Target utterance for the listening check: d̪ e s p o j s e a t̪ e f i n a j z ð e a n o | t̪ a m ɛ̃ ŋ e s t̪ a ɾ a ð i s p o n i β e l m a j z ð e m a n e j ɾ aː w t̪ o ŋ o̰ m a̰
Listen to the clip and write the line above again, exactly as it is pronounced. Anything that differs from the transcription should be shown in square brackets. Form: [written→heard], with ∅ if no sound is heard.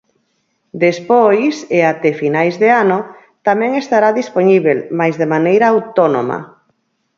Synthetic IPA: d̪ e s p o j s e a t̪ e f i n a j z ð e a n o | t̪ a m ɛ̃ ŋ e s t̪ a ɾ a ð i s p o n i β e l m a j z ð e m a n e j ɾ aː w t̪ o [ŋ→n] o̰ m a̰